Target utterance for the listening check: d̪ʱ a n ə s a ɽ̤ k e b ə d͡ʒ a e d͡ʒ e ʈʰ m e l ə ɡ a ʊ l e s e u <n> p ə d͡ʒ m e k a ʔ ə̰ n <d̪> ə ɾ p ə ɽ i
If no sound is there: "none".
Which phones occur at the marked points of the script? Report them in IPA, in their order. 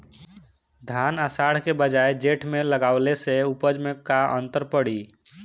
none, t̪

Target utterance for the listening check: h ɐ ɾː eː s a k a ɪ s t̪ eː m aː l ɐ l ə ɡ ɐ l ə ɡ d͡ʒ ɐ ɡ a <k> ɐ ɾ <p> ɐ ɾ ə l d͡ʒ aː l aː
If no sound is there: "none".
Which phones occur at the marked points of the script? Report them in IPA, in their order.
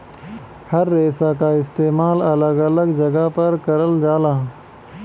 p, k

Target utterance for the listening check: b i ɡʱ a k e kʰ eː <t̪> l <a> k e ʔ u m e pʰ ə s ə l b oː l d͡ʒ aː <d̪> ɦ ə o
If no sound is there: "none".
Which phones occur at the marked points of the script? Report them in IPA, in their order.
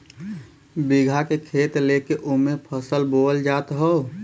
t̪, e, t̪

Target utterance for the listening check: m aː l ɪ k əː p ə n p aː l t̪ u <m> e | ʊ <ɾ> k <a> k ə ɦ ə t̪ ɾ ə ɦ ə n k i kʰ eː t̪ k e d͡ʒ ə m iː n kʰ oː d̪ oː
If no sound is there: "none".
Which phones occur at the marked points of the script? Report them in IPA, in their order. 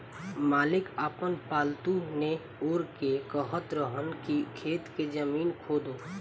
n, ɾ, e

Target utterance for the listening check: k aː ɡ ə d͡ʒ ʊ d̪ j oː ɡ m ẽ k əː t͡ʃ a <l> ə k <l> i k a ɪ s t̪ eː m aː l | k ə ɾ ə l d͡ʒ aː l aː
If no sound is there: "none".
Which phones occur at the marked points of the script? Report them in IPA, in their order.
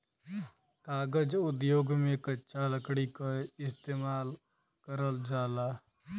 l, ɽ

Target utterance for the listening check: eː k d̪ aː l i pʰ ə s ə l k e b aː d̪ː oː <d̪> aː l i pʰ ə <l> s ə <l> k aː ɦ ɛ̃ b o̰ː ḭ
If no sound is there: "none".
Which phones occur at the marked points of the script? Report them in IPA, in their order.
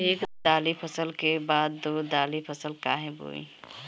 d̪, none, l

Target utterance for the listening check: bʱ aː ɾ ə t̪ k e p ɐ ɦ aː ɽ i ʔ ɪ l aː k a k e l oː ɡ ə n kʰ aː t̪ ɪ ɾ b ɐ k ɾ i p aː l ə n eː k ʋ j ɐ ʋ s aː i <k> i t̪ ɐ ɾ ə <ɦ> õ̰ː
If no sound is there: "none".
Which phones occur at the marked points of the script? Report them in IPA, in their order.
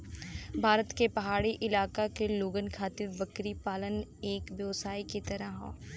k, ɦ

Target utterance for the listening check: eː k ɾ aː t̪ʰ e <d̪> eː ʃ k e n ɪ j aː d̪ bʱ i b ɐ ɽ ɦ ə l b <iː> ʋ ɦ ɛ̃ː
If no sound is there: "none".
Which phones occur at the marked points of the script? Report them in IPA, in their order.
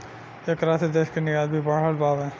d̪, aː

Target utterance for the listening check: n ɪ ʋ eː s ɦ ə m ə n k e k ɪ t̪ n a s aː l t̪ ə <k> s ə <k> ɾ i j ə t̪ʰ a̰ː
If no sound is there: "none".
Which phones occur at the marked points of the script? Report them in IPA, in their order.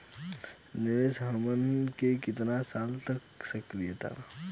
k, k

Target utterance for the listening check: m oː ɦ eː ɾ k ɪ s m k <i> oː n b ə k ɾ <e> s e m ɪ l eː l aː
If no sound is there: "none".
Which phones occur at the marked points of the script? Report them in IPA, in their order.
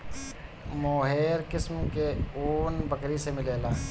e, i

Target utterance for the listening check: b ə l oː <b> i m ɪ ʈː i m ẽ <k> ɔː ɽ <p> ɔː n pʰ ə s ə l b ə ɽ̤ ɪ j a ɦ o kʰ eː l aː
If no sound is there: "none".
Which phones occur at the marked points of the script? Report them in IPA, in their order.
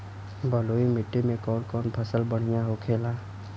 none, k, k

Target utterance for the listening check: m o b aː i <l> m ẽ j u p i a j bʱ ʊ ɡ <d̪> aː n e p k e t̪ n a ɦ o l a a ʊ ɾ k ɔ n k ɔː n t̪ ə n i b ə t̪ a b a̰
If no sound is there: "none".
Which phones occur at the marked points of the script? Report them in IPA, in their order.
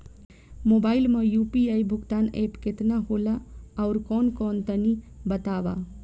l, t̪

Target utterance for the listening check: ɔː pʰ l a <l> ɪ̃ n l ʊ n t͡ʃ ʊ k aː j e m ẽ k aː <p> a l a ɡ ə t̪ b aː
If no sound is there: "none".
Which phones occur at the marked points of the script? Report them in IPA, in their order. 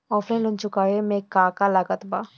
none, k

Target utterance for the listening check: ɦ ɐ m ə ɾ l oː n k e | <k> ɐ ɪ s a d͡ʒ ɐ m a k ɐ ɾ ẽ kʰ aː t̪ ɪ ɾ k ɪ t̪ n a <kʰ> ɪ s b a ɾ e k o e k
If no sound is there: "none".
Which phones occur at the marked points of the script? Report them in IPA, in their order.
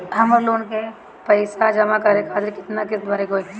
p, k

